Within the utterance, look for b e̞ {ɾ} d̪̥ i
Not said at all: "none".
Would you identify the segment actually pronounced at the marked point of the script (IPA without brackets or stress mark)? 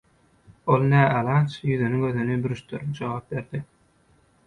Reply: ɾ